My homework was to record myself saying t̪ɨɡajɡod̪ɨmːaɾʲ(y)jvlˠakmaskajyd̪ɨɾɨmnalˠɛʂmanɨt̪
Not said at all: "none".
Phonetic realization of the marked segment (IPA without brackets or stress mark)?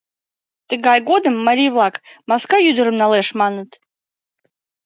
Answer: i